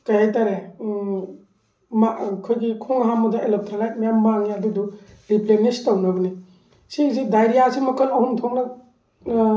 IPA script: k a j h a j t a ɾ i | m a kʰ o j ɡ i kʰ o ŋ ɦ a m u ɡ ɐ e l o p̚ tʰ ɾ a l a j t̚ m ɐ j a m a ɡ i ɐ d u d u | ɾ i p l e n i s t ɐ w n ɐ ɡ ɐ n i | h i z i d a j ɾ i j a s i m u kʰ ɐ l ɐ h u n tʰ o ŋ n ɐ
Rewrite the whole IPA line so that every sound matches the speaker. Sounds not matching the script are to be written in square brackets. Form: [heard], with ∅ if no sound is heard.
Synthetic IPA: k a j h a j t a ɾ [e] | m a kʰ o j ɡ i kʰ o ŋ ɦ a m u [d] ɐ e l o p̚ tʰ ɾ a l a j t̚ m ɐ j a m a [ŋ] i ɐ d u d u | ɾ i p l e n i s t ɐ w n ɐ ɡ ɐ n i | [s] i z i d a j ɾ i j a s i m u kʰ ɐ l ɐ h u n tʰ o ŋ n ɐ